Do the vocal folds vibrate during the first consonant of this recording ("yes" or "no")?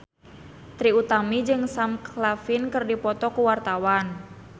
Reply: no